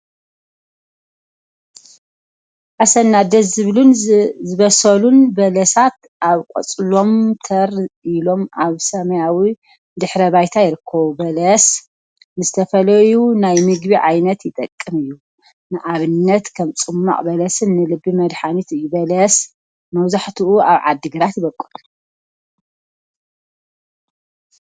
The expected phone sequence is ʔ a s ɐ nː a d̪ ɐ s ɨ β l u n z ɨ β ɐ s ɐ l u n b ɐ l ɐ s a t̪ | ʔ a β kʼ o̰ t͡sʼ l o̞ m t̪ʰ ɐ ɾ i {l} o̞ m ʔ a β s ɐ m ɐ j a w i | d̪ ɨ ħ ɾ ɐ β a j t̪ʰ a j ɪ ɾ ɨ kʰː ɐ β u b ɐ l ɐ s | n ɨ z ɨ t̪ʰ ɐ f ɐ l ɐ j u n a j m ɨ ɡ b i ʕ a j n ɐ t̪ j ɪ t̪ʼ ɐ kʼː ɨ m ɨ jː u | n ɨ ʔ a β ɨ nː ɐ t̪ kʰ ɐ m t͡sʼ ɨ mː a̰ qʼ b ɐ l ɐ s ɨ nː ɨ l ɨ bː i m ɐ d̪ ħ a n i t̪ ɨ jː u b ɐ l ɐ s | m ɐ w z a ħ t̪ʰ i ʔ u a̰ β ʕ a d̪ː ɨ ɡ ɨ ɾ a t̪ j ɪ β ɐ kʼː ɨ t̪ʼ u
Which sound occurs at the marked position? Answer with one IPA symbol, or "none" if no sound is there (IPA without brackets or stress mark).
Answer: l